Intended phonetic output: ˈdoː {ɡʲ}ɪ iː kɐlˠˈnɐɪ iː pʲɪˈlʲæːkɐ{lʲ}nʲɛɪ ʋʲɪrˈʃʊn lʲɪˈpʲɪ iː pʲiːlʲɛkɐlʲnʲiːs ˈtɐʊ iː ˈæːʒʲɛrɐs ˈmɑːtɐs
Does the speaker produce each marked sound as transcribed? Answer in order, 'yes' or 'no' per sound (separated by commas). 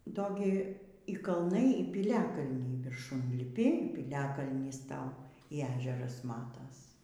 yes, yes